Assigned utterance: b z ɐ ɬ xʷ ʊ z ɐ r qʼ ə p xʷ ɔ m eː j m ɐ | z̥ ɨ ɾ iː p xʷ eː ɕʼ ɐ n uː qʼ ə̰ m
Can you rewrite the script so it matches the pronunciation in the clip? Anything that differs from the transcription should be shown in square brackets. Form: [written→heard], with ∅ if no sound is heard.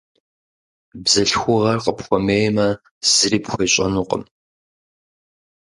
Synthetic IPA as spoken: b z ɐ ɬ xʷ ʊ [z→ʁ] ɐ r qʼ ə p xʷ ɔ m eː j m ɐ | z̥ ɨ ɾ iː p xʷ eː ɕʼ ɐ n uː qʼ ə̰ m